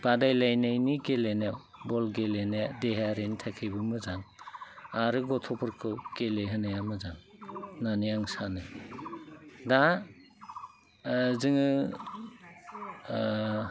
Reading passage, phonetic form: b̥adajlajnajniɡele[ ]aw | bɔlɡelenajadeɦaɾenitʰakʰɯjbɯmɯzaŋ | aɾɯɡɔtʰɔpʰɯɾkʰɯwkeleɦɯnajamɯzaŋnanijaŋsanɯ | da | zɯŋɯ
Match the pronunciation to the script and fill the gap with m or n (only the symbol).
n